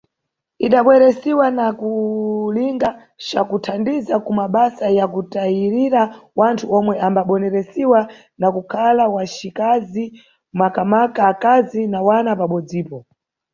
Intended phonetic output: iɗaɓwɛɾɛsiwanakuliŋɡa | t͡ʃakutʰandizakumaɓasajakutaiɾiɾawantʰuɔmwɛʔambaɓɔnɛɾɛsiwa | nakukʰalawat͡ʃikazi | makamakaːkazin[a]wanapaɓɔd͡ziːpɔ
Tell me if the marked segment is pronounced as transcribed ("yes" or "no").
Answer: yes